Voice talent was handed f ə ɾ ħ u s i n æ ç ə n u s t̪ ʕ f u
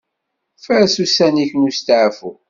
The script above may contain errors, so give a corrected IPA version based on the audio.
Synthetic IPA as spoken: f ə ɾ s u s æ n i ç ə n u s t̪ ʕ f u